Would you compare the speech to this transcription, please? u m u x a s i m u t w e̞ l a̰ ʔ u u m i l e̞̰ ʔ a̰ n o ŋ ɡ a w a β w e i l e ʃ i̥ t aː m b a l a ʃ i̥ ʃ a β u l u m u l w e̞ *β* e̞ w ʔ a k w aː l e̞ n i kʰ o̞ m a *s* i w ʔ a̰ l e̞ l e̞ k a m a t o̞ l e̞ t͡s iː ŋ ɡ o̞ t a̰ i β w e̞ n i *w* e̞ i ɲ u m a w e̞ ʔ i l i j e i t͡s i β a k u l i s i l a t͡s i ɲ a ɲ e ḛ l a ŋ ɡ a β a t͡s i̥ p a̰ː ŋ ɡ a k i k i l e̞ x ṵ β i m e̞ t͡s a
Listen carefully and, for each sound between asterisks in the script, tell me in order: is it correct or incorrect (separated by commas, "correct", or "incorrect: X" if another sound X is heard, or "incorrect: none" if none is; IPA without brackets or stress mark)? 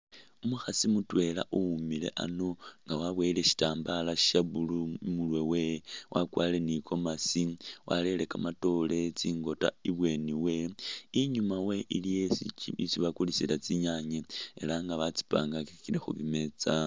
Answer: incorrect: w, correct, correct